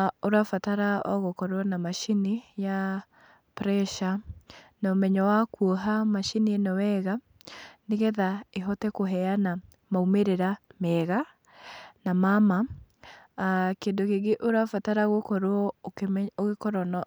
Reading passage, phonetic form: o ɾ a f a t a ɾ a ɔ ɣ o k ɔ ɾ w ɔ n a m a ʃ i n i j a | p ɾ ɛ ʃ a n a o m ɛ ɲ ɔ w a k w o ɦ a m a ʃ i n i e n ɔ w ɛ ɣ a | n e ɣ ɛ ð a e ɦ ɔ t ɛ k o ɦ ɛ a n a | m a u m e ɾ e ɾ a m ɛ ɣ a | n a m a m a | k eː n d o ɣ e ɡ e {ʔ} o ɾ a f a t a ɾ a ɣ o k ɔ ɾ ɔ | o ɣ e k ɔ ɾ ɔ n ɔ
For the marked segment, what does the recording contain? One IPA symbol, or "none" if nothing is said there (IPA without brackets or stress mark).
ʔ